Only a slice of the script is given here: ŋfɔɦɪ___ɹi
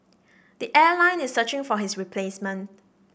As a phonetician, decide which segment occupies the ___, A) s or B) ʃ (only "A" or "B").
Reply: A